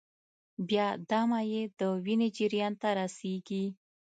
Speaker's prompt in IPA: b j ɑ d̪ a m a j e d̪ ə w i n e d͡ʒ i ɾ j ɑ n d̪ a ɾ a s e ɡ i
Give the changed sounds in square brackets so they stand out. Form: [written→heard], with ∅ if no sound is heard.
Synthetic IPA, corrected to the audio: b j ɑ d̪ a m a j e d̪ ə w i n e d͡ʒ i ɾ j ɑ n [d̪→t̪] a ɾ a s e ɡ i